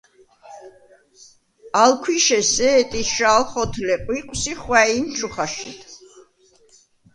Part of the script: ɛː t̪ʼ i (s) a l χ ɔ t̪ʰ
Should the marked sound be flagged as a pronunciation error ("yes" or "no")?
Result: yes